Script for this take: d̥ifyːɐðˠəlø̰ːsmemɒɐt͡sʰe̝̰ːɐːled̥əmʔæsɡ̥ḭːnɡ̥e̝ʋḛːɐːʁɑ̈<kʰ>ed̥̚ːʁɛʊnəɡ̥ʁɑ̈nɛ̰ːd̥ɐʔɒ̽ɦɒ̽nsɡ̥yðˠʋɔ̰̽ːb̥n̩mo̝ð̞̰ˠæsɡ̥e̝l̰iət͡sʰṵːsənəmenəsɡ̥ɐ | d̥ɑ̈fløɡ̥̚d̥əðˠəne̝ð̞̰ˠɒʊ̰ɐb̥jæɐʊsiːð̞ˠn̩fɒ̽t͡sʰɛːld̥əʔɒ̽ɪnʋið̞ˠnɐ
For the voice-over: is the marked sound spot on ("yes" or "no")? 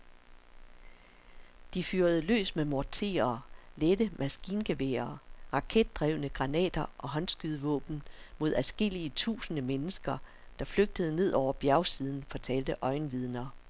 yes